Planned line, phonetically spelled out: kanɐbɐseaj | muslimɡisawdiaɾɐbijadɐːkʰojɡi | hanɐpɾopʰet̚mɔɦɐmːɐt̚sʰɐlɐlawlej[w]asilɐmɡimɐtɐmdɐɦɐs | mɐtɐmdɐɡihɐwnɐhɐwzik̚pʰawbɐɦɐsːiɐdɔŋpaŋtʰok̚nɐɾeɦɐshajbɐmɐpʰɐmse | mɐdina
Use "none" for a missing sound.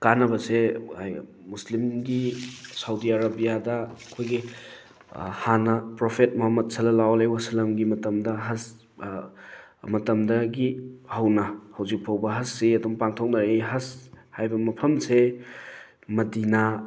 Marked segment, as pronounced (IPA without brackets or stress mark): w